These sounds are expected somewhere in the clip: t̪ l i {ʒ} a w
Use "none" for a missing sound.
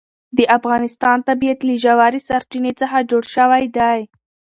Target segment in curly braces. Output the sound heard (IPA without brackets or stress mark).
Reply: ʒ